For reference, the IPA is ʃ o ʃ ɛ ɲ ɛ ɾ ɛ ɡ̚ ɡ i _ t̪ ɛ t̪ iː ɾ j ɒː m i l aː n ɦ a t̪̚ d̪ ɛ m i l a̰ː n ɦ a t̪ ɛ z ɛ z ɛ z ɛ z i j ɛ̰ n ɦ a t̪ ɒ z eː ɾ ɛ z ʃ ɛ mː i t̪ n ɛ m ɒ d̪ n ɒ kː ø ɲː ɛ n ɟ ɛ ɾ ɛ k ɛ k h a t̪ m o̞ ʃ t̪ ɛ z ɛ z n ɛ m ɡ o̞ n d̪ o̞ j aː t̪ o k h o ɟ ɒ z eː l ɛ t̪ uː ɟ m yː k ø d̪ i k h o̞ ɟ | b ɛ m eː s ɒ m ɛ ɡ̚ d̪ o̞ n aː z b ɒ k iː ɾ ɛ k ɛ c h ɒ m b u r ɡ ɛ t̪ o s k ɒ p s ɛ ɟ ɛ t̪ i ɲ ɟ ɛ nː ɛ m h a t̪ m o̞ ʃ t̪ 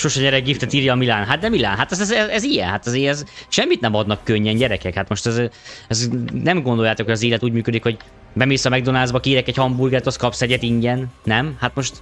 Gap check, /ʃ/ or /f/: f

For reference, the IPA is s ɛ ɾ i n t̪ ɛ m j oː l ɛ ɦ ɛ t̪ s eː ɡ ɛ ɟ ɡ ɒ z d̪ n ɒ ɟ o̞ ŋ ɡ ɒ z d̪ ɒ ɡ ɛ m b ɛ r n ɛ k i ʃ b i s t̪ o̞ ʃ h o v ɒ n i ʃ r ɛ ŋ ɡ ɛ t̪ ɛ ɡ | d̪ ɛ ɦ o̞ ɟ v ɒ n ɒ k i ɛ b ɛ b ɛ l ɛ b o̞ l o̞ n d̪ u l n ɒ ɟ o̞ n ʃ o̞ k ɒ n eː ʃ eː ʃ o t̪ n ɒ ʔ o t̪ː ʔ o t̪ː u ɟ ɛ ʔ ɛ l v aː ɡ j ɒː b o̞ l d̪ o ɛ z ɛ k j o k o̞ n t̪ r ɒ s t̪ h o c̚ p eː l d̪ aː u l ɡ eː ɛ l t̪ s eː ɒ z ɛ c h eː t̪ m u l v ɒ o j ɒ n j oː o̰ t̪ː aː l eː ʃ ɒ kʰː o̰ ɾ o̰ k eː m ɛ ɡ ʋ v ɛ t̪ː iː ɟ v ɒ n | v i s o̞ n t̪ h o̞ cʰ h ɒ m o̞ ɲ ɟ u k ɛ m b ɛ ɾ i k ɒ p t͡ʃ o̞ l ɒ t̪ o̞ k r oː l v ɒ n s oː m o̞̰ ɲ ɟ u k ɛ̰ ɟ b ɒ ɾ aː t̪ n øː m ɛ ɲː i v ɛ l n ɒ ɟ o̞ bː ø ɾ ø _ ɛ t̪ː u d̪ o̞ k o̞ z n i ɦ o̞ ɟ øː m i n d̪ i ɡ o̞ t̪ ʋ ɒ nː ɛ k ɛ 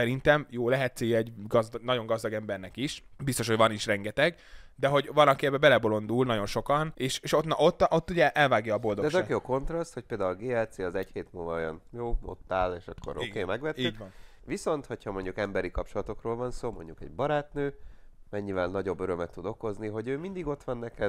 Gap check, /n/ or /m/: m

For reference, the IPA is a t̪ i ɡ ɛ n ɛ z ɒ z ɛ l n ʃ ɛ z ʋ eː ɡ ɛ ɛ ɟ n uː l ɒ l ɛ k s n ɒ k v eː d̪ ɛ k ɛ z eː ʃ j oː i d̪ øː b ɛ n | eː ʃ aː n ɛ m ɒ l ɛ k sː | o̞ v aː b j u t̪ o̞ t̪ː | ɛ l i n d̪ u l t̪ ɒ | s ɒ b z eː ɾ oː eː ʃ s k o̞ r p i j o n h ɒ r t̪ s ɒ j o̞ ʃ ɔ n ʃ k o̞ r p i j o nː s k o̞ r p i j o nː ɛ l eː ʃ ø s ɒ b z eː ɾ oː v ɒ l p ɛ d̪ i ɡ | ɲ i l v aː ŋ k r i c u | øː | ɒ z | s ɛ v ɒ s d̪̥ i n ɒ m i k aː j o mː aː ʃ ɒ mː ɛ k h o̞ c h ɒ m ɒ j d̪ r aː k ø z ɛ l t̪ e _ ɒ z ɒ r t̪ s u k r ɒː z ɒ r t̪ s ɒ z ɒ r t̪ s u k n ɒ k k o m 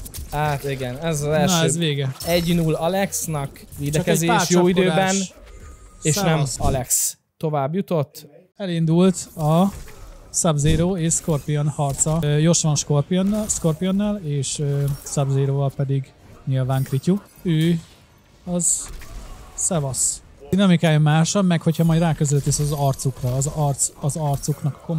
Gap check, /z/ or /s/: s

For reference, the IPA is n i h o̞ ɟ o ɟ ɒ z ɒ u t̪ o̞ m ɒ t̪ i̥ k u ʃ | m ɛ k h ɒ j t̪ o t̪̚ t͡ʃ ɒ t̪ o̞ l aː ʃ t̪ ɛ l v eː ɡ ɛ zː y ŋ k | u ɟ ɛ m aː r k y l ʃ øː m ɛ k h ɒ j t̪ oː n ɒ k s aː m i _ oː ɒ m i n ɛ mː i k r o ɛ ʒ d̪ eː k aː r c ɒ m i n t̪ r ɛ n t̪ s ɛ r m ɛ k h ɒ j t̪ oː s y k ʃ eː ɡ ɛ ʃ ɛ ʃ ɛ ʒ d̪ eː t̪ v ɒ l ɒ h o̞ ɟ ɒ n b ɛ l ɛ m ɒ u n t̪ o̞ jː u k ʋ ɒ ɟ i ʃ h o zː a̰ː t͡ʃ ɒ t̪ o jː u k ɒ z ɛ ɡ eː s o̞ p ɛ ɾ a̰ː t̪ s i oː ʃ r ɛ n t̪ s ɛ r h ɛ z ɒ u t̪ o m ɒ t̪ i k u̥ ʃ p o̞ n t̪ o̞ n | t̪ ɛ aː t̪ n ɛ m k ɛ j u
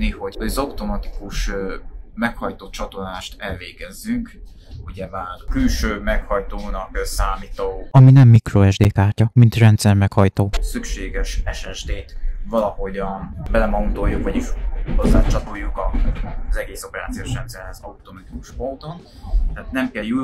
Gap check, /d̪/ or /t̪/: t̪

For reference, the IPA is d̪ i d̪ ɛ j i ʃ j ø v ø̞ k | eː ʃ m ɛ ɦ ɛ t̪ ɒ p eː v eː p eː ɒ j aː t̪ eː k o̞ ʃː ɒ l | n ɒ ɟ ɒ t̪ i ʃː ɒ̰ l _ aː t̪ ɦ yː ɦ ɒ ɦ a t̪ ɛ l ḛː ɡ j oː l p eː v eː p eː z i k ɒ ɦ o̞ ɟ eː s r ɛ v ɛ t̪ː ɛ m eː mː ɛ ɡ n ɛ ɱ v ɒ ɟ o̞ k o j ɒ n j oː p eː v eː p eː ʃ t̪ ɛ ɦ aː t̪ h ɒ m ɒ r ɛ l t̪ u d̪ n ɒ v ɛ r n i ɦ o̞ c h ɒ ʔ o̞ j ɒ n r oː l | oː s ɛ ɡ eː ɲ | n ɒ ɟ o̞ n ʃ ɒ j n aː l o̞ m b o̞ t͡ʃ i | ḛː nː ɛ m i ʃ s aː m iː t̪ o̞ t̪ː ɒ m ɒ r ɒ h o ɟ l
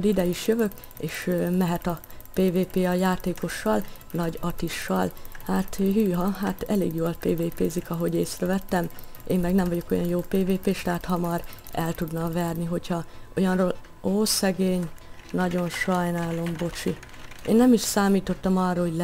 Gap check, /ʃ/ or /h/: h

